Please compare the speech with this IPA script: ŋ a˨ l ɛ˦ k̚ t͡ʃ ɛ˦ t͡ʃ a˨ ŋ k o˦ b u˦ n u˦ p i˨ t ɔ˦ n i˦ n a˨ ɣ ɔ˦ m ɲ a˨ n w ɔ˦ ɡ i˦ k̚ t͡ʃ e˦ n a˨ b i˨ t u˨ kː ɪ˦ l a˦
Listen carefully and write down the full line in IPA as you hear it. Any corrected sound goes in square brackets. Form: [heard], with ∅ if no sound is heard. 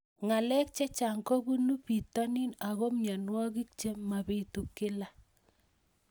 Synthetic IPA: ŋ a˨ l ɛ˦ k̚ t͡ʃ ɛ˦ t͡ʃ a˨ ŋ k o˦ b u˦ n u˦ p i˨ t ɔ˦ n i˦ n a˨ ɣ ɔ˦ m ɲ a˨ n w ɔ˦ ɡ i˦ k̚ t͡ʃ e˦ [m] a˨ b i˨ t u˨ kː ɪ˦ l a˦